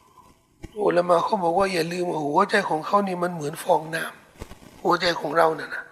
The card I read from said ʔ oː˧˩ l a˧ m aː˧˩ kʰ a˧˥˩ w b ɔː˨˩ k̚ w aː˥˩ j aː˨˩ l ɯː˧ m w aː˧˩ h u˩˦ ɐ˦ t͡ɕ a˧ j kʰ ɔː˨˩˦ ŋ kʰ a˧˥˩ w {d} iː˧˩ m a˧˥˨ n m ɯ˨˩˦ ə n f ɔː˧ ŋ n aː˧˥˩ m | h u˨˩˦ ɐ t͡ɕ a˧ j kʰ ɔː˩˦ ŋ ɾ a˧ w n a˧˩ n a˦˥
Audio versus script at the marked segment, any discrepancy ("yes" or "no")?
yes